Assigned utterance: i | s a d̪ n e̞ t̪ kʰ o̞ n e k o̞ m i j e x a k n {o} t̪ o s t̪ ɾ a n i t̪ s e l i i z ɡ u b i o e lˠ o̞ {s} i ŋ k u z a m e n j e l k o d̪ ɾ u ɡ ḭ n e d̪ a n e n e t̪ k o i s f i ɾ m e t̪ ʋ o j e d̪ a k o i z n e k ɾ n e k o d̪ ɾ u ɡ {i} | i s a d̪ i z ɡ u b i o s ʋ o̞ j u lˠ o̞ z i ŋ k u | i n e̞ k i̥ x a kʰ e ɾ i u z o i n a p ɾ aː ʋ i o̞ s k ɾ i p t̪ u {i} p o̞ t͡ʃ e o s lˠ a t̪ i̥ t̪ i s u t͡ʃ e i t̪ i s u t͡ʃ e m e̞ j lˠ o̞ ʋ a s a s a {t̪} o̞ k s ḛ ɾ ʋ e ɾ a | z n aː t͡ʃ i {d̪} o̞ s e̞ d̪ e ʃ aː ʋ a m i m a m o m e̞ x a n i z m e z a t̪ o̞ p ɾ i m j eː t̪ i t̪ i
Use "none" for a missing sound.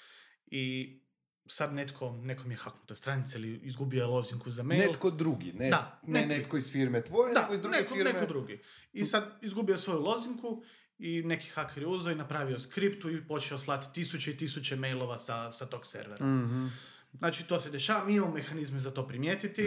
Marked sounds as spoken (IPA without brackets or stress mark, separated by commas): u, z, i, i, t̪, t̪